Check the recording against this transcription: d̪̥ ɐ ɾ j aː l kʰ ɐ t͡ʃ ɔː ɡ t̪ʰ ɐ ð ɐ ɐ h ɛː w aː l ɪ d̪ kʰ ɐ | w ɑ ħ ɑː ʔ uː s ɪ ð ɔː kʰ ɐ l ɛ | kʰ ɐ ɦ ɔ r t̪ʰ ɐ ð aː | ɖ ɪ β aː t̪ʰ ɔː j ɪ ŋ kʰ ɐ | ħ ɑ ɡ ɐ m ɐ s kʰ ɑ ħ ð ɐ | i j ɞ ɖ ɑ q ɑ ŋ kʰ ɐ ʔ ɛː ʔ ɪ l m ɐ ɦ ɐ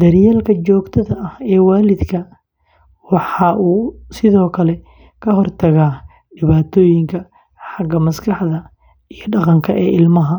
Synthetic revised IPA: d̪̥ ɐ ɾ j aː l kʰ ɐ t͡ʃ ɔː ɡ t̪ʰ ɐ ð ɐ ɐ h ɛː w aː l ɪ d̪ kʰ ɐ | w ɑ ħ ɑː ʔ uː s ɪ ð ɔː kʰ ɐ l ɛ | kʰ ɐ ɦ ɔ r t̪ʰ ɐ ɣ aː | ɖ ɪ β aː t̪ʰ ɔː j ɪ ŋ kʰ ɐ | ħ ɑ ɡ ɐ m ɐ s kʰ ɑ ħ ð ɐ | i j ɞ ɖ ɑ q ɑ ŋ kʰ ɐ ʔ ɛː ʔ ɪ l m ɐ ɦ ɐ